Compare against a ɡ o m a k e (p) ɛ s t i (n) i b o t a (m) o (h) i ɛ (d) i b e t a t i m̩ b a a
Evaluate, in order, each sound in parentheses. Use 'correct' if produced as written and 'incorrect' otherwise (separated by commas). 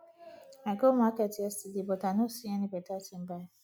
incorrect, incorrect, incorrect, incorrect, incorrect